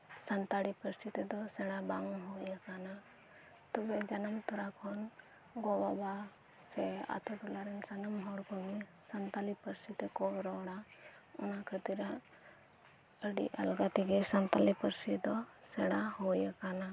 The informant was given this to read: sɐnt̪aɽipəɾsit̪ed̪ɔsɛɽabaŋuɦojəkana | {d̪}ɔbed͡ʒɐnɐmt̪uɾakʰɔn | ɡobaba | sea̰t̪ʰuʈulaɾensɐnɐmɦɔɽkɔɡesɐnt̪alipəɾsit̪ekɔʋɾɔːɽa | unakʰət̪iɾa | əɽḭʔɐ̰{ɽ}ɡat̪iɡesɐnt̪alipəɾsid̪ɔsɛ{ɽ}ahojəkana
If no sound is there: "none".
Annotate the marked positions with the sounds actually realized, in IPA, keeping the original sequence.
t̪, l, ɽ

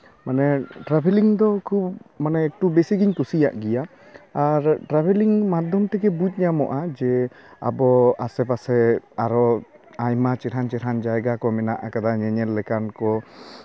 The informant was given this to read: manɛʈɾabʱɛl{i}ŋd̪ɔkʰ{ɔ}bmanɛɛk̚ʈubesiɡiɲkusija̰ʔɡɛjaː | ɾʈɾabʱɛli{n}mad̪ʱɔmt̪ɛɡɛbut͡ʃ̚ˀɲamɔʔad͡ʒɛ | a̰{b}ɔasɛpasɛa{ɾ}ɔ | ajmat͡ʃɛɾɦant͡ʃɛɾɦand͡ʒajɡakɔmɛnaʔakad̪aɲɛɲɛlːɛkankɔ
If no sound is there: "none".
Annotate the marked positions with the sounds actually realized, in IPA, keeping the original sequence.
i, u, ŋ, b, ɾ

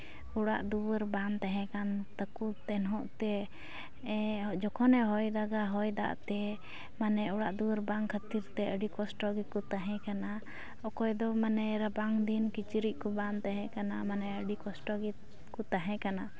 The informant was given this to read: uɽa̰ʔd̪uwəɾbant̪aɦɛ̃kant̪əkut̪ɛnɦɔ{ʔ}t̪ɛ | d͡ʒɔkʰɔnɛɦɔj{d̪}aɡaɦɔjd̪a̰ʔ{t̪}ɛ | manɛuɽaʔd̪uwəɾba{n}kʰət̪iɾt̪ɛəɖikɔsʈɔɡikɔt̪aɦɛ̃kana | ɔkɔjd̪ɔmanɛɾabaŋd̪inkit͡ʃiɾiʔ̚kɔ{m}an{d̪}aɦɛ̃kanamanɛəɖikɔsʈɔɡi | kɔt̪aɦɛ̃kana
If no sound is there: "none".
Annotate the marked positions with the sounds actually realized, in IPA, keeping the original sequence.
ʔ, d̪, t̪, ŋ, b, t̪

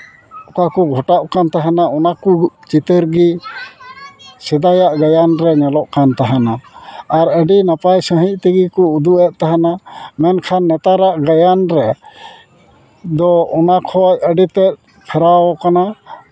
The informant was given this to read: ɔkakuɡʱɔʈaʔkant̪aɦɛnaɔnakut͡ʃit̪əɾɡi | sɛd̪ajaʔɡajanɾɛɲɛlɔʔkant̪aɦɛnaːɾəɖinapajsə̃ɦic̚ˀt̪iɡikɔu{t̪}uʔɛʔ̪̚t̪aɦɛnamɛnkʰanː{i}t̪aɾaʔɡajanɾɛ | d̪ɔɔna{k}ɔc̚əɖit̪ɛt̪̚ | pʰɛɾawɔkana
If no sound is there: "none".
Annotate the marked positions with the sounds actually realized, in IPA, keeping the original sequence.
d̪, ɛ, kʰ

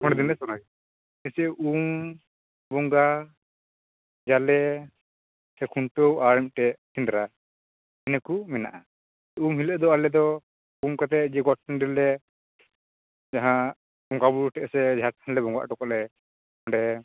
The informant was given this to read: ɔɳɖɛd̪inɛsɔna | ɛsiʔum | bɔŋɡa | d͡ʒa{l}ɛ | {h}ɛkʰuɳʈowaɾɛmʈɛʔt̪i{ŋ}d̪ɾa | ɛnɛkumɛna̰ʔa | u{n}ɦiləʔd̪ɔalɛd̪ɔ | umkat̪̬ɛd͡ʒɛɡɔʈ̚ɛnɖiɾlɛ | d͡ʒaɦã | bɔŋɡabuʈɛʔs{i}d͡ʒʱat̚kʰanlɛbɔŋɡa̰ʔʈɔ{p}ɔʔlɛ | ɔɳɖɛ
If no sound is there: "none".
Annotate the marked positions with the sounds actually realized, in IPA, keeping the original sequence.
l, s, n, m, ɛ, k

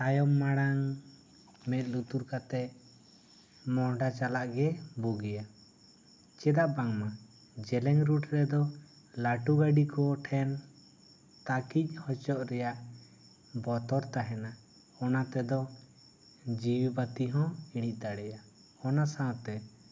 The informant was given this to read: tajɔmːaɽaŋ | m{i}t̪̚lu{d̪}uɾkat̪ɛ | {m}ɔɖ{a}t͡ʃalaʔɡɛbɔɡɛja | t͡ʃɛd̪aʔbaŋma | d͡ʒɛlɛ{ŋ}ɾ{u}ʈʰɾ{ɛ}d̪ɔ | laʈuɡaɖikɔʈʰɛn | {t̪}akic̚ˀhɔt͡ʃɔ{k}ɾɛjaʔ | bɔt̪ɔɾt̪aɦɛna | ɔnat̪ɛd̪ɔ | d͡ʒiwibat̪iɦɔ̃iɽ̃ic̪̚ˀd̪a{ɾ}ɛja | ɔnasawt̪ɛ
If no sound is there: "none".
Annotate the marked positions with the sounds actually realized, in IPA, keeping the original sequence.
ɛ, t̪, m, a, ŋ, u, ɛ, t̪, ʔ, ɽ

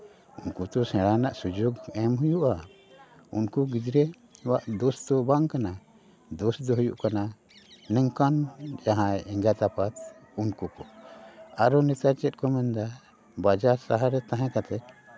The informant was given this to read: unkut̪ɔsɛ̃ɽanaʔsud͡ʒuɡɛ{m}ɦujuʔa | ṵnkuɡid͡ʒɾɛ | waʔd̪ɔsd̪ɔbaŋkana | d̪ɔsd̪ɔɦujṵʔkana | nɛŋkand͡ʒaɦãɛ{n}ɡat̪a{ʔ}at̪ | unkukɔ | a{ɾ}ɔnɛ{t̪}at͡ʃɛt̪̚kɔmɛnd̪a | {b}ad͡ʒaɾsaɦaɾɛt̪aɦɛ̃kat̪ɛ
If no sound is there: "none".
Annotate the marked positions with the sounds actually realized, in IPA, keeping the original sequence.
m, ŋ, p, ɾ, t̪, b

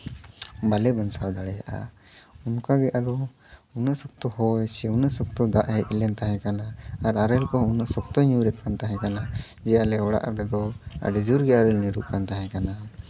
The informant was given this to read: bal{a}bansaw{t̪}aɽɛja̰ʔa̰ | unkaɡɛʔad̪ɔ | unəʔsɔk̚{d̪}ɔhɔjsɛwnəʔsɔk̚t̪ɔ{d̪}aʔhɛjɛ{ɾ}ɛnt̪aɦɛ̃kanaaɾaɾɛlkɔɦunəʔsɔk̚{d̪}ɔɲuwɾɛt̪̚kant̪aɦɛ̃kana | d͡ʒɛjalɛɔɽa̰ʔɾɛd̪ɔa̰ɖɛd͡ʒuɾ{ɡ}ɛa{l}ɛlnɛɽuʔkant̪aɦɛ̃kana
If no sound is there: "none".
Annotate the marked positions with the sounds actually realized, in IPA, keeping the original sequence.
ɛ, d̪, t̪, d̪, l, t̪, ɡ, ɾ

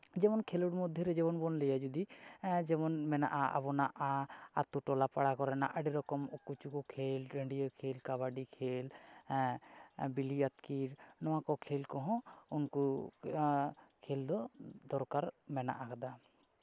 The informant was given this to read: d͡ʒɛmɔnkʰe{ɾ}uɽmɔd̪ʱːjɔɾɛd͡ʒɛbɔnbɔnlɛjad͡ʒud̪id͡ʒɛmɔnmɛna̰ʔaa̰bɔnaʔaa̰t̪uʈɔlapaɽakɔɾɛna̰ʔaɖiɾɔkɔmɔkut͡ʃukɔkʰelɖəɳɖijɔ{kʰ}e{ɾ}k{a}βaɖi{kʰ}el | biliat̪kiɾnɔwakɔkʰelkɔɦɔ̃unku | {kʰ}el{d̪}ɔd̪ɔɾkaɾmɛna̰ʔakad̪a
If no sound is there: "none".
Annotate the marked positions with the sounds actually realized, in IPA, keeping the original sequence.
l, kʰ, l, a, kʰ, kʰ, d̪

